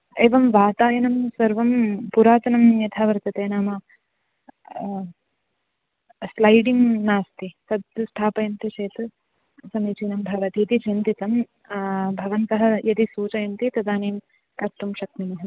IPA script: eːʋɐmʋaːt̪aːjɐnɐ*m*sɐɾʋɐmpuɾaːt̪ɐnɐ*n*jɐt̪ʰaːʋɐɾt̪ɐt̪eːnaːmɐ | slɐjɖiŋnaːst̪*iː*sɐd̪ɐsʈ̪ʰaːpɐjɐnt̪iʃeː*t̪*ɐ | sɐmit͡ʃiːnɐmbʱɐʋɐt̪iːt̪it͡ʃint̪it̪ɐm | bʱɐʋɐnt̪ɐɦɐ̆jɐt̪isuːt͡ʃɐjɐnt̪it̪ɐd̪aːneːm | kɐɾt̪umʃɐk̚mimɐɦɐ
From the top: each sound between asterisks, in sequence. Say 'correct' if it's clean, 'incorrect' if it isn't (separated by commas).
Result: correct, incorrect, incorrect, correct